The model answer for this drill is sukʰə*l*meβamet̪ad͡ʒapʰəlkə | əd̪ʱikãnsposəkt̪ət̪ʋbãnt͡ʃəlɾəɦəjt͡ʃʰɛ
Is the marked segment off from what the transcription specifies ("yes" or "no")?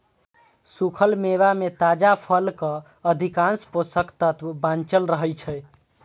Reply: no